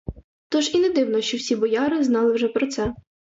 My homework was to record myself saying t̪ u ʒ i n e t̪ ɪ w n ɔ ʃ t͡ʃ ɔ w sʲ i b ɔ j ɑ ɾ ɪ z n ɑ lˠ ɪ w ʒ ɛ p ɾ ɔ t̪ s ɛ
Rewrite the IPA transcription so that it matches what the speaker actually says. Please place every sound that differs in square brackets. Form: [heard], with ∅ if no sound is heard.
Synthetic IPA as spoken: t̪ [ɔ] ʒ i n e [d̪] ɪ w n ɔ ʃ t͡ʃ ɔ w sʲ i b ɔ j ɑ ɾ ɪ z n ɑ lˠ ɪ w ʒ ɛ p ɾ ɔ t̪ s ɛ